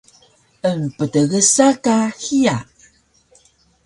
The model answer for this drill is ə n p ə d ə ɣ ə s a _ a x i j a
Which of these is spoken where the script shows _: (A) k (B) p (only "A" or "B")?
A